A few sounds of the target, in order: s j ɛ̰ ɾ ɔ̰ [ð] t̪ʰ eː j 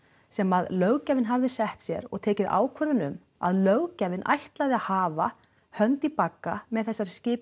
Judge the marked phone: incorrect: ɣ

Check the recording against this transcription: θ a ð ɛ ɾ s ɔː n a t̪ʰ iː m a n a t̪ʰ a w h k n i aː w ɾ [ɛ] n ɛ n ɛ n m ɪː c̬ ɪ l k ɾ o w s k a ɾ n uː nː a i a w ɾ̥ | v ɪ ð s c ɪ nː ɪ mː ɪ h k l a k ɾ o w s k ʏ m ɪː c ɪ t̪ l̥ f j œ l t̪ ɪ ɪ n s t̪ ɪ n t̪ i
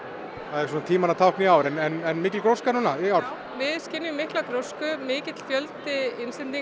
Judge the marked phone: correct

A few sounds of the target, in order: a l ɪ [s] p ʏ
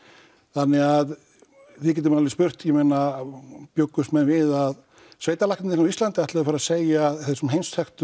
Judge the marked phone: correct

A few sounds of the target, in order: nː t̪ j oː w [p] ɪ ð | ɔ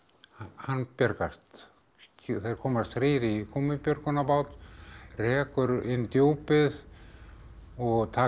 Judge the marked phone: correct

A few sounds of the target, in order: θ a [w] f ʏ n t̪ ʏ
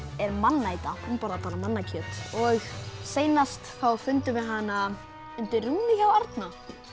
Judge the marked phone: correct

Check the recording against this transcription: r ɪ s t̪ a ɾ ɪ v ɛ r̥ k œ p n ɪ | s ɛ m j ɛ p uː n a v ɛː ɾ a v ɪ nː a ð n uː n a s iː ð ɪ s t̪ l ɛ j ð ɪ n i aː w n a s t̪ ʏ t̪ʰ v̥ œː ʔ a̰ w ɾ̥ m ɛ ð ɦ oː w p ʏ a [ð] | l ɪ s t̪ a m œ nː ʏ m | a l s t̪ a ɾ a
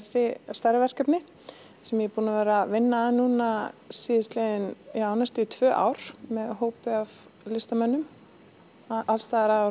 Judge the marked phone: incorrect: v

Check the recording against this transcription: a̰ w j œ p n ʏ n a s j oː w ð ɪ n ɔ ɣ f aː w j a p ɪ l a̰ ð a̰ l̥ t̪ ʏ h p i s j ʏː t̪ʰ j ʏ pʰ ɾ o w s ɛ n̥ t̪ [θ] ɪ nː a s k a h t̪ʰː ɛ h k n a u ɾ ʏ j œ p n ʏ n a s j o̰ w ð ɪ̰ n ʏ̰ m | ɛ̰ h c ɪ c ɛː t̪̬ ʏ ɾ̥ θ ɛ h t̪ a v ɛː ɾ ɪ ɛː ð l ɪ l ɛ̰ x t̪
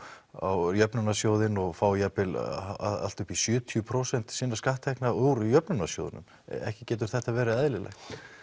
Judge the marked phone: incorrect: s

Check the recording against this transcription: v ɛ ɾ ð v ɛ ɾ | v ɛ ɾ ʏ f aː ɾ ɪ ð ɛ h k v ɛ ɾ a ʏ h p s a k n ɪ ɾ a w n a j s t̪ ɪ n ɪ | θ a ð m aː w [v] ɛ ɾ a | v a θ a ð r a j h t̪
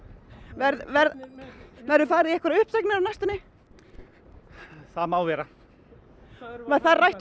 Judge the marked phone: correct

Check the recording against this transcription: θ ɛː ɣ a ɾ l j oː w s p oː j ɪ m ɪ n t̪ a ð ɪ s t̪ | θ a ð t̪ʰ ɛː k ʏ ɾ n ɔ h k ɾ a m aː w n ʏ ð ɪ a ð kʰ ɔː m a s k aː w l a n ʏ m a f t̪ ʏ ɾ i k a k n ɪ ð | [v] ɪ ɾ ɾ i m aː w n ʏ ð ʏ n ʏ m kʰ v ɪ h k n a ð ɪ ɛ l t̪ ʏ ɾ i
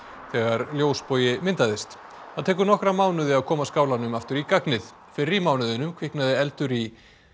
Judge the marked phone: incorrect: f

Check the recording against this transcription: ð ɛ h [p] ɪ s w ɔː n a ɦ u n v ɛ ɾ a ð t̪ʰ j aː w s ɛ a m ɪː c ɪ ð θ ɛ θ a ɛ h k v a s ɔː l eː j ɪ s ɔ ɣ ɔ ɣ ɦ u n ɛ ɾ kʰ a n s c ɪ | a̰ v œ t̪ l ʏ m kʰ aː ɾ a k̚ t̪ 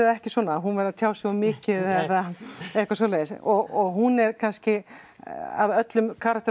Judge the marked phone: incorrect: c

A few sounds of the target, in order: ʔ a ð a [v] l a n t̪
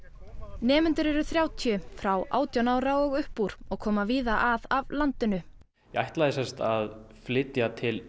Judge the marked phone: correct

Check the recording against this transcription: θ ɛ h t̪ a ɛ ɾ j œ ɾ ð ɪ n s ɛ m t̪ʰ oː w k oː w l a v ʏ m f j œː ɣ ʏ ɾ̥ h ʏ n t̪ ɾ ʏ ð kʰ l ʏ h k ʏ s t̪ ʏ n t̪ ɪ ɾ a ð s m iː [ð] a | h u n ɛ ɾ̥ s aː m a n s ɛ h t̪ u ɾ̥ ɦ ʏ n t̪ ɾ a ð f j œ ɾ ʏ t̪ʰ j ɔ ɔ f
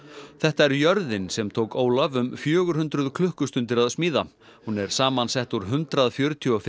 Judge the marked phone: correct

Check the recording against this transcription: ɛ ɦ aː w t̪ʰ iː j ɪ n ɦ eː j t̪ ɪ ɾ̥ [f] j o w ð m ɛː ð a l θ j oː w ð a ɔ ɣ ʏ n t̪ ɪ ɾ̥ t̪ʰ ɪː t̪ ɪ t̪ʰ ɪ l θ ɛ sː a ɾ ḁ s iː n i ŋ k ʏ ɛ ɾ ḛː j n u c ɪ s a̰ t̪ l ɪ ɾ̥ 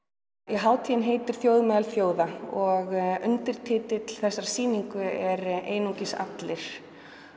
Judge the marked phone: incorrect: θ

